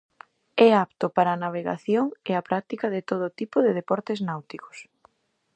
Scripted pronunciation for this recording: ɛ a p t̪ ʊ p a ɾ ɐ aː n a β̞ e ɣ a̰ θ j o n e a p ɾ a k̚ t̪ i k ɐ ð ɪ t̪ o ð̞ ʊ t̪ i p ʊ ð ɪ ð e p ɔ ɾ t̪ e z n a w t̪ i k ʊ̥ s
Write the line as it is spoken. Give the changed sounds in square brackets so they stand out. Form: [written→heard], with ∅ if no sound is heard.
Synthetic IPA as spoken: ɛ a p t̪ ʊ p a ɾ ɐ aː n a β̞ e ɣ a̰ θ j o [n→ŋ] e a p ɾ a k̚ t̪ i k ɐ ð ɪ t̪ o ð̞ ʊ t̪ i p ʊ ð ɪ ð e p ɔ ɾ t̪ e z n a w t̪ i k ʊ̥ s